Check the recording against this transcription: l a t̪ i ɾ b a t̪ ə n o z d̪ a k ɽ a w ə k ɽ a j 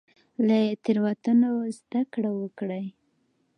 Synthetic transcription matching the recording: l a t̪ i ɾ w a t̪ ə n o z d̪ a k ɽ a w ə k ɽ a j